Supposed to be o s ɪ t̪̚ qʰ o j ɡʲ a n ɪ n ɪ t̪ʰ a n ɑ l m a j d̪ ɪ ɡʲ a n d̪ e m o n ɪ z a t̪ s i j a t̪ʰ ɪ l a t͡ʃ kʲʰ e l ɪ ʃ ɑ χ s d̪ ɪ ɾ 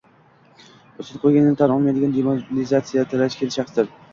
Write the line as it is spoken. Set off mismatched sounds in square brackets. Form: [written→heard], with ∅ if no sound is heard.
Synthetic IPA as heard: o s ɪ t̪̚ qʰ o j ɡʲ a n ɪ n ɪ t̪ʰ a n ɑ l m a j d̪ ɪ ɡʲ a n d̪ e m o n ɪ z a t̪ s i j a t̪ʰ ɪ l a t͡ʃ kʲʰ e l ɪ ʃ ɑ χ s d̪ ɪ ɾ